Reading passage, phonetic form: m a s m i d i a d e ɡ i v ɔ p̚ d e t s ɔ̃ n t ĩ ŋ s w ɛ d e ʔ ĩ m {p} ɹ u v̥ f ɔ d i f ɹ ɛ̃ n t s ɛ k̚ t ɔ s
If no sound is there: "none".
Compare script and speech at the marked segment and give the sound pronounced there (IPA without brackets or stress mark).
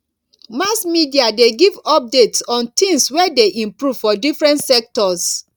p